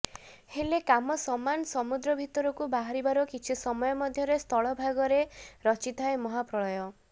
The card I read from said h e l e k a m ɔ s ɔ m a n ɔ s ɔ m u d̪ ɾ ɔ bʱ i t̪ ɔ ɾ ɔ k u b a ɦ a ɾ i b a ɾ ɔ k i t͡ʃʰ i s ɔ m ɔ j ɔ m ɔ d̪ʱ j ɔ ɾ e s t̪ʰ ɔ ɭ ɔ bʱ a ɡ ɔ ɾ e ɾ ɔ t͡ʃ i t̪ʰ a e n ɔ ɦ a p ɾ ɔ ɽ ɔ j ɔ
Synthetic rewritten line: h e l e k a m ɔ s ɔ m a n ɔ s ɔ m u d̪ ɾ ɔ bʱ i t̪ ɔ ɾ ɔ k u b a ɦ a ɾ i b a ɾ ɔ k i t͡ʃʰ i s ɔ m ɔ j ɔ m ɔ d̪ʱ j ɔ ɾ e s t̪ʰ ɔ ɭ ɔ bʱ a ɡ ɔ ɾ e ɾ ɔ t͡ʃ i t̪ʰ a e m ɔ ɦ a p ɾ ɔ ɭ ɔ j ɔ